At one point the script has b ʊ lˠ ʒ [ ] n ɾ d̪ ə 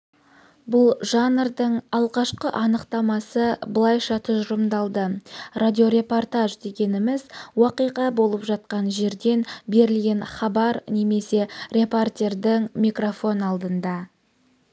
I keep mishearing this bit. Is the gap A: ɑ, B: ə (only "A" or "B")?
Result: A